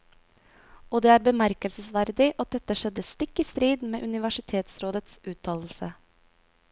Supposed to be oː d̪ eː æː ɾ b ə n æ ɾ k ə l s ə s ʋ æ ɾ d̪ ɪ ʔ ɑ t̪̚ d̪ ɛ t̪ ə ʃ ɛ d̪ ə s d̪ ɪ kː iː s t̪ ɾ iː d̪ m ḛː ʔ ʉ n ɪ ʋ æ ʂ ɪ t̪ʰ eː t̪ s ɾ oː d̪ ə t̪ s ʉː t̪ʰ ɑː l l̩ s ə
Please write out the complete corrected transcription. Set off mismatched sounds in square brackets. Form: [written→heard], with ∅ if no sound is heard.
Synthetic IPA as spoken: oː d̪ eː æː ɾ b ə [n→m] æ ɾ k ə l s ə s ʋ æ ɾ d̪ ɪ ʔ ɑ t̪̚ d̪ ɛ t̪ ə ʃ ɛ d̪ ə s [d̪→t̪] ɪ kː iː s t̪ ɾ iː d̪ m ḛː ʔ ʉ n ɪ ʋ æ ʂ ɪ t̪ʰ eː t̪ s ɾ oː d̪ ə t̪ s ʉː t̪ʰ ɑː l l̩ s ə